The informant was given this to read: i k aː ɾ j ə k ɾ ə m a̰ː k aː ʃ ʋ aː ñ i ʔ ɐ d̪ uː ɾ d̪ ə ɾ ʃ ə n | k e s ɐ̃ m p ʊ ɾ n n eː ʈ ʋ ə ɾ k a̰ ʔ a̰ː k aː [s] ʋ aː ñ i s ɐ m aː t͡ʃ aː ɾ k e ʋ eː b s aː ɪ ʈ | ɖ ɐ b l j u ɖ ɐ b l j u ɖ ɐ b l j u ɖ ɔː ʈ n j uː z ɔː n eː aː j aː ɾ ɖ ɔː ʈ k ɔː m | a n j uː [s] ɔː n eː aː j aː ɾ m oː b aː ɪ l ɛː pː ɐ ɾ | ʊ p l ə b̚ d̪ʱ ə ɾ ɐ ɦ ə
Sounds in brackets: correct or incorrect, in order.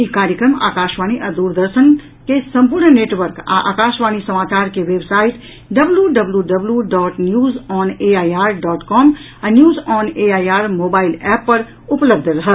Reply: incorrect, incorrect

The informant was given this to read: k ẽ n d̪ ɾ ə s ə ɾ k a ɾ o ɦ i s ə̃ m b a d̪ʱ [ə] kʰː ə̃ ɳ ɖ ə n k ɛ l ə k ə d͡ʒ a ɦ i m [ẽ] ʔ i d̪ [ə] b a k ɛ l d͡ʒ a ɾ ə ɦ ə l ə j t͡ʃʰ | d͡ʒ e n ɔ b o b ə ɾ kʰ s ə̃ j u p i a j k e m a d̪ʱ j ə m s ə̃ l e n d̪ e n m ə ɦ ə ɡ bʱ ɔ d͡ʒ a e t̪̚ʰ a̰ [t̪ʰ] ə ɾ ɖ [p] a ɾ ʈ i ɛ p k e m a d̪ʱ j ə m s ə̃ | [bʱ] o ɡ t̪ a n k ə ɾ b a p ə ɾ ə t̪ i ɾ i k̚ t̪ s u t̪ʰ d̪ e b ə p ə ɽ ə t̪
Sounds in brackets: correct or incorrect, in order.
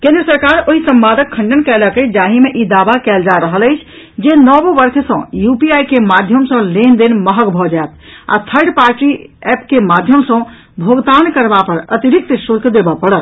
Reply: correct, incorrect, incorrect, correct, correct, correct

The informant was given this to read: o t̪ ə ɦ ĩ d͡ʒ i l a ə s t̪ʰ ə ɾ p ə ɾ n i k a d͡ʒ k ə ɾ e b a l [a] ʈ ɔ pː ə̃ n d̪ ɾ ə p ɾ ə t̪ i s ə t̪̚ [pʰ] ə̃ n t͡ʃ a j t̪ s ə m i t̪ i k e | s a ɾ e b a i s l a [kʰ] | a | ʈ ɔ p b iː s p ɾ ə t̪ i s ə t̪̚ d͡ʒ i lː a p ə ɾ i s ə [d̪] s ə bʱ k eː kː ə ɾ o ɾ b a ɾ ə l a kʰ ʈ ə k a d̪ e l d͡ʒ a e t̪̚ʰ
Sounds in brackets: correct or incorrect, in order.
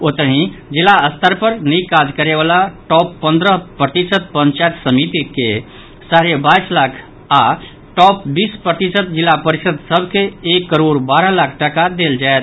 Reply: correct, incorrect, correct, correct

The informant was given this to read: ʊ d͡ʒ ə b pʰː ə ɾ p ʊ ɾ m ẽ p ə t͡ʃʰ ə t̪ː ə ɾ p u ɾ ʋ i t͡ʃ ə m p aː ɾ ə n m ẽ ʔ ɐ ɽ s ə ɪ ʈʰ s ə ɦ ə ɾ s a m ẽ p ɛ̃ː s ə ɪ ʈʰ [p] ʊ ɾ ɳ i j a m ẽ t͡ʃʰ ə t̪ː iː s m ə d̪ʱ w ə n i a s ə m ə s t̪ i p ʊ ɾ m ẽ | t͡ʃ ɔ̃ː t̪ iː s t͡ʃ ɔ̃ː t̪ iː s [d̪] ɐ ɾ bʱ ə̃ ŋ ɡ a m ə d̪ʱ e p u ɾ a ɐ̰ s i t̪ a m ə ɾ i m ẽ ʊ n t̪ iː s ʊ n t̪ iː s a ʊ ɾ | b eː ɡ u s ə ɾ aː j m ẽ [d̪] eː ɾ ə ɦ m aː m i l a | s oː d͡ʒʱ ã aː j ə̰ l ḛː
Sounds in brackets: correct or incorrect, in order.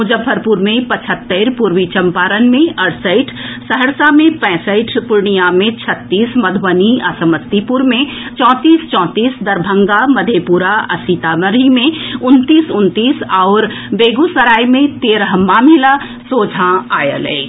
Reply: correct, correct, incorrect

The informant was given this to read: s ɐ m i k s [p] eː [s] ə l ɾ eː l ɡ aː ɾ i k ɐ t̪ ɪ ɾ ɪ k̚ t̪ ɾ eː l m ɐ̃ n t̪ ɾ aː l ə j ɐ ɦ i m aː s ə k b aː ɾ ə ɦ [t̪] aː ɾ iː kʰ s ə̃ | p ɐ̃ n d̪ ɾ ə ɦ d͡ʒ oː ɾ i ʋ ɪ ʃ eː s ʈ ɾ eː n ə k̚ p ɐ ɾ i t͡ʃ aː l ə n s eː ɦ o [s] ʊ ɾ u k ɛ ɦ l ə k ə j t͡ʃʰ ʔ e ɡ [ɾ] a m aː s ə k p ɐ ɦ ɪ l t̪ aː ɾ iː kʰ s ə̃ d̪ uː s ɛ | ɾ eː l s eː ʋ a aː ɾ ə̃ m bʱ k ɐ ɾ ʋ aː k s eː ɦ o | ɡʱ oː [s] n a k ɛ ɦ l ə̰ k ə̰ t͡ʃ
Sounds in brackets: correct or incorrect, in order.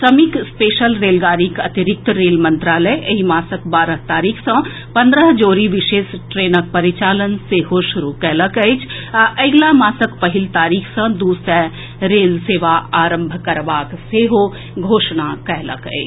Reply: correct, incorrect, correct, incorrect, incorrect, incorrect

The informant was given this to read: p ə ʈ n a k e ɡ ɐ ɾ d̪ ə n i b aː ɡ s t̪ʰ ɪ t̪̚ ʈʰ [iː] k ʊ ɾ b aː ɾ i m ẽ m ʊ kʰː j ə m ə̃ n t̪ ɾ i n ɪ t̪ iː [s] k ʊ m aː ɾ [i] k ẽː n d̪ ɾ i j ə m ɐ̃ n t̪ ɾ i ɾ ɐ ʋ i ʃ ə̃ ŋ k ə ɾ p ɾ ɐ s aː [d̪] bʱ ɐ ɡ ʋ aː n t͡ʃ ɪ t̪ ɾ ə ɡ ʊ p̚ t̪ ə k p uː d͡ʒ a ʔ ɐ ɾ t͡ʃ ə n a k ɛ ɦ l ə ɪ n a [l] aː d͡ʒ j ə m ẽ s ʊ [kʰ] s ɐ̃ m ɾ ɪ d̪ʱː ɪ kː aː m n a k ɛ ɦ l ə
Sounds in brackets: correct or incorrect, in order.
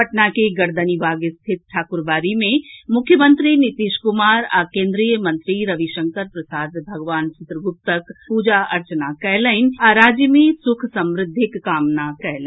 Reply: incorrect, incorrect, incorrect, correct, incorrect, correct

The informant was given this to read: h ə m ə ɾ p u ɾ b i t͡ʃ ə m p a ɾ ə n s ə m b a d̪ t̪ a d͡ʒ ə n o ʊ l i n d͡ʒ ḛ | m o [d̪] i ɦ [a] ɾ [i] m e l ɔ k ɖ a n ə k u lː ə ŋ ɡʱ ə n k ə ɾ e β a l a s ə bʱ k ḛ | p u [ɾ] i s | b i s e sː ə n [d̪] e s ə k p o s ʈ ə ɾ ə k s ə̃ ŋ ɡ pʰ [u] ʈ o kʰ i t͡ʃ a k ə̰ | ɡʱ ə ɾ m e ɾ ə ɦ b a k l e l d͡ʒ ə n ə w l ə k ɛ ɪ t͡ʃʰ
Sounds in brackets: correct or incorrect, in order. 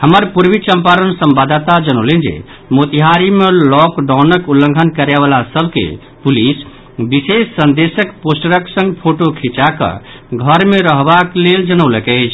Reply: incorrect, correct, correct, incorrect, correct, incorrect

